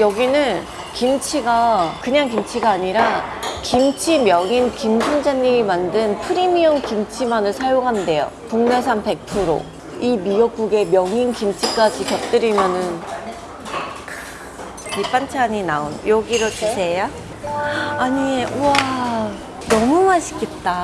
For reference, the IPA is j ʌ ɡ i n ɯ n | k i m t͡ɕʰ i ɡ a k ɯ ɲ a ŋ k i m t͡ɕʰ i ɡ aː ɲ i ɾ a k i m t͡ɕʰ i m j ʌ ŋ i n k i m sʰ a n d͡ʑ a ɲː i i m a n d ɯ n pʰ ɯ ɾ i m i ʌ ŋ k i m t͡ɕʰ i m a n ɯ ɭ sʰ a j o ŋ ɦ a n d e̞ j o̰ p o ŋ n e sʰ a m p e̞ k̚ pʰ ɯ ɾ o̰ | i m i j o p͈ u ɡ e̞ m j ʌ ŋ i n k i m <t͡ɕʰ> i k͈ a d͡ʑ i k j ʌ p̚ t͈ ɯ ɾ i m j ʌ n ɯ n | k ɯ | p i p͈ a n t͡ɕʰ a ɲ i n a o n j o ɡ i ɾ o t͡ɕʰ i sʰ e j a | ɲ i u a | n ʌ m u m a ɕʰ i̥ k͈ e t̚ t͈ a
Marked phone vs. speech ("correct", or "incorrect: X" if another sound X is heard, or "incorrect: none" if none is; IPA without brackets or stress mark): correct